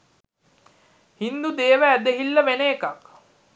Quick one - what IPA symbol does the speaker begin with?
h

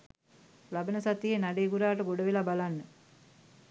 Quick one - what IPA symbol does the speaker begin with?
l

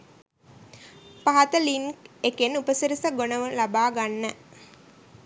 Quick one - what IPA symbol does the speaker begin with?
p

